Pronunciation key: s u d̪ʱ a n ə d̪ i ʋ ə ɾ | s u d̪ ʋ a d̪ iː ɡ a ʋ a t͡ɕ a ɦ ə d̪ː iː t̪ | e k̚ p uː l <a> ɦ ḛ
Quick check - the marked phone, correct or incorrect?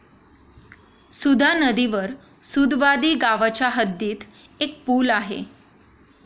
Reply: correct